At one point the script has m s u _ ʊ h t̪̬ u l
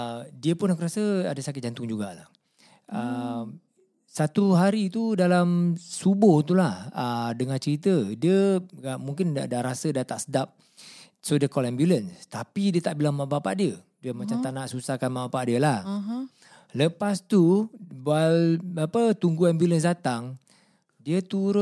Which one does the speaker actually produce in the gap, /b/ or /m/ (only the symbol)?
b